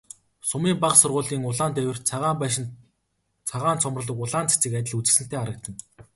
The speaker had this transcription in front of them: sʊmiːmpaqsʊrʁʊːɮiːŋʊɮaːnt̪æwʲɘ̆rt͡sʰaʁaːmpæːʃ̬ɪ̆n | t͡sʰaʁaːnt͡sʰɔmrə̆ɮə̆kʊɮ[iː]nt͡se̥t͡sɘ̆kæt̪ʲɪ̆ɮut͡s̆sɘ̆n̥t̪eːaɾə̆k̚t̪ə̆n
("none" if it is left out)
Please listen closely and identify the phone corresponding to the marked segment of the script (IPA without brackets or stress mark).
aː